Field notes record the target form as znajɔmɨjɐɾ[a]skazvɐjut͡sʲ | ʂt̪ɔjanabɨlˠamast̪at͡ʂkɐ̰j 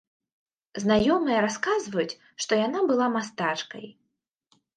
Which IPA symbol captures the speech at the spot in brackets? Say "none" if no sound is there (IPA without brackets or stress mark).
a